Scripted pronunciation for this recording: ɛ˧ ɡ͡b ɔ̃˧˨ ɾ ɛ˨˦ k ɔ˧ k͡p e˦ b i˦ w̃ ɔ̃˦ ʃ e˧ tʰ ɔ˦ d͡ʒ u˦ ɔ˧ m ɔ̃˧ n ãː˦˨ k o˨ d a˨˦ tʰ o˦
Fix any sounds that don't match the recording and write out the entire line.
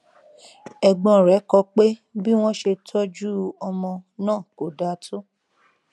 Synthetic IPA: ɛ˧ ɡ͡b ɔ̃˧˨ ɾ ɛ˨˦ k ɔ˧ k͡p e˦ b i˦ w̃ ɔ̃˦ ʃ e˧ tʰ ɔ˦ d͡ʒ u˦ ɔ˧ m ɔ̃˧ n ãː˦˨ k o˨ d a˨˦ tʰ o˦